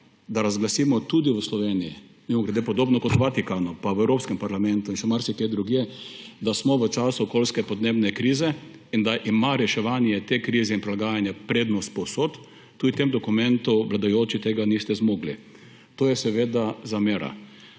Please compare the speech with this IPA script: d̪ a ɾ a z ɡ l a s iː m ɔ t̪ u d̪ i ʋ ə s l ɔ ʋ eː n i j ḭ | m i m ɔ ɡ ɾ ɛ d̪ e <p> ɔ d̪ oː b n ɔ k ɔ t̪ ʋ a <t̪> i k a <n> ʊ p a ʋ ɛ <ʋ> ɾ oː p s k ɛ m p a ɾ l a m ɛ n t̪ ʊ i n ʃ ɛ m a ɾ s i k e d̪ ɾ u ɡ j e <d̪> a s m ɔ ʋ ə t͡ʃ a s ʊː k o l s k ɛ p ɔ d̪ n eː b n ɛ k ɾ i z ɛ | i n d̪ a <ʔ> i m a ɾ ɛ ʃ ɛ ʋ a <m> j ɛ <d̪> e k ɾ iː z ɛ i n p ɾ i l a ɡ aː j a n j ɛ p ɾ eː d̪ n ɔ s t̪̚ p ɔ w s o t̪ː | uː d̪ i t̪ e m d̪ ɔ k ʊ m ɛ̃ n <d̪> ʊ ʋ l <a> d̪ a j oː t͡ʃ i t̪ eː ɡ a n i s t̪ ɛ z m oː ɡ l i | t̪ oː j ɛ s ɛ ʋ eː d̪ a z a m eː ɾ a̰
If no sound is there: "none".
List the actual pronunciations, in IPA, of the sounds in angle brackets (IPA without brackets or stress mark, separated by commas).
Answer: p, t̪, n, w, d̪, ʔ, n, t̪, t̪, a